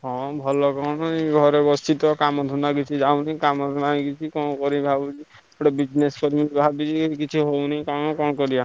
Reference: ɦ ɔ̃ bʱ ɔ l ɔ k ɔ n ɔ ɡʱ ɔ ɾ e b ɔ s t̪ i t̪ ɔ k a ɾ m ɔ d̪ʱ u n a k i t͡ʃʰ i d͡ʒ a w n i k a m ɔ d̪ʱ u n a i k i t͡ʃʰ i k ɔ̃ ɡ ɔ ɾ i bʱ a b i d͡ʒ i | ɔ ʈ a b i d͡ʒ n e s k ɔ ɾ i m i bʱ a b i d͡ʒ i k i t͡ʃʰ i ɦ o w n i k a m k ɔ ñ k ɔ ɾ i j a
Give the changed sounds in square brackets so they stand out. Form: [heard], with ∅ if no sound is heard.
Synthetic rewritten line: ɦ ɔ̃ bʱ ɔ l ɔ k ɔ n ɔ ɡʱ ɔ ɾ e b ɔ s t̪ i t̪ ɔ k a [∅] m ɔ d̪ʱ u n a k i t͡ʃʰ i d͡ʒ a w n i k a m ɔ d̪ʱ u n a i k i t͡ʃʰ i k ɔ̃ [k] ɔ ɾ i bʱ a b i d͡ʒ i | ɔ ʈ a b i d͡ʒ n e s k ɔ ɾ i m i bʱ a b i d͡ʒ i k i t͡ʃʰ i ɦ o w n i k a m k ɔ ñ k ɔ ɾ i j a

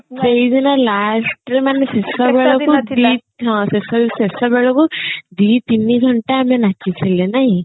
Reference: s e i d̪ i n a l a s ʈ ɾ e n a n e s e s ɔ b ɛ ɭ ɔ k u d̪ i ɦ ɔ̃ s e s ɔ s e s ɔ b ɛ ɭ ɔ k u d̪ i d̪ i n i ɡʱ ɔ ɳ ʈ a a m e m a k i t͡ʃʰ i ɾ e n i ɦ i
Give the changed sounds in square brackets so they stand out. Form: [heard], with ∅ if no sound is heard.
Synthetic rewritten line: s e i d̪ i n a l a s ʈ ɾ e [m] a n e s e s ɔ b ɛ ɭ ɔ k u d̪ i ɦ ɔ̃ s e s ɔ s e s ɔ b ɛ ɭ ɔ k u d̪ i [t̪] i n i ɡʱ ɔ ɳ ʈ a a m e [n] a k i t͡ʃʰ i [l] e n [a] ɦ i

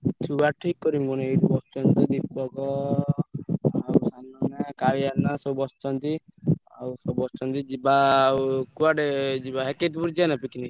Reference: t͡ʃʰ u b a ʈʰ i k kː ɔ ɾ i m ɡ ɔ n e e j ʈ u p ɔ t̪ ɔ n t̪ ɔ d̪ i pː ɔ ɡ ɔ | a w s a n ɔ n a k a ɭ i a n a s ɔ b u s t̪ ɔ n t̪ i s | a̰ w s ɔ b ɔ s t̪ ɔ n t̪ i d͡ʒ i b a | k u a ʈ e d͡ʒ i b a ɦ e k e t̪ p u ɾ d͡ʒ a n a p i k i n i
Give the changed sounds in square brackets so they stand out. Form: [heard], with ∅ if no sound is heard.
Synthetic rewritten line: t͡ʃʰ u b a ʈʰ i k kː ɔ ɾ i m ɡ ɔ n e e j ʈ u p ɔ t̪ ɔ n t̪ ɔ d̪ i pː ɔ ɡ ɔ | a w s a n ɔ n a k a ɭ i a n a s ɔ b [ɔ] s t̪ ɔ n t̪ i [∅] | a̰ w s ɔ b ɔ s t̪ ɔ n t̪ i d͡ʒ i b a | k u a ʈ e d͡ʒ i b a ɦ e k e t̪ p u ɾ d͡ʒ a n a p i k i n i

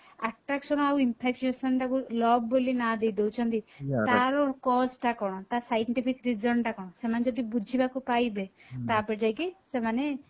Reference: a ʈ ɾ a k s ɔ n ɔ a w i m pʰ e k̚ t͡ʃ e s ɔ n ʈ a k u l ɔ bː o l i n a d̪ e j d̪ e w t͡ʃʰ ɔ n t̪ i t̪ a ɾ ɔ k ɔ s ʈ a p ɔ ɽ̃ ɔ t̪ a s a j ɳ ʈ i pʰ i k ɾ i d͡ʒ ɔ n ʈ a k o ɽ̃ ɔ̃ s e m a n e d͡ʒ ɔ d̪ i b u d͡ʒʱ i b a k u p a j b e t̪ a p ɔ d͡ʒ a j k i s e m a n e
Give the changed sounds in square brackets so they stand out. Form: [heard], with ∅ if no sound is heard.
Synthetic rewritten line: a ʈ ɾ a k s ɔ n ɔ a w i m pʰ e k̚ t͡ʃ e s ɔ n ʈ a k u l ɔ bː o l i n a d̪ e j d̪ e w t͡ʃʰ ɔ n t̪ i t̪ a ɾ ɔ k ɔ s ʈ a [k] ɔ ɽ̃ ɔ t̪ a s a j ɳ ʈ i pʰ i k ɾ i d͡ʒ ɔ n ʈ a k [ɔ] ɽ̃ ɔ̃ s e m a n e d͡ʒ ɔ d̪ i b u d͡ʒʱ i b a k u p a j b e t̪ a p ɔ d͡ʒ a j k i s e m a n e

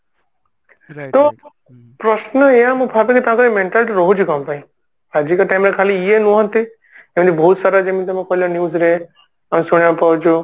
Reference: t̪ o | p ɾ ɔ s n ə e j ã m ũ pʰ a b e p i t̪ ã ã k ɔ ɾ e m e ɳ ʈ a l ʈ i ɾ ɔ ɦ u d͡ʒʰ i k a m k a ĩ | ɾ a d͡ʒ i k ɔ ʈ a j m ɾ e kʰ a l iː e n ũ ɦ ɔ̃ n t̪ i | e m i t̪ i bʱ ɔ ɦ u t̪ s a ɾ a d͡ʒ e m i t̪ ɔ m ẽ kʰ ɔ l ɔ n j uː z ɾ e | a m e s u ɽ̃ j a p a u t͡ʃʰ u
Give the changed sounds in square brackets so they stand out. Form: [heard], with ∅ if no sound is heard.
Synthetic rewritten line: t̪ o | p ɾ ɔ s n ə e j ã m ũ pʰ a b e [k] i t̪ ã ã k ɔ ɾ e m e ɳ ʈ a l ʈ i ɾ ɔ ɦ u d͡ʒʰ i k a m [p] a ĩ | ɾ a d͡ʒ i k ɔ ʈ a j m ɾ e kʰ a l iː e n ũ ɦ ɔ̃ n t̪ i | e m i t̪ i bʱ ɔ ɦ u t̪ s a ɾ a d͡ʒ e m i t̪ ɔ m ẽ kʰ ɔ l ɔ n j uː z ɾ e | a m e s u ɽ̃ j a p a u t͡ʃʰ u

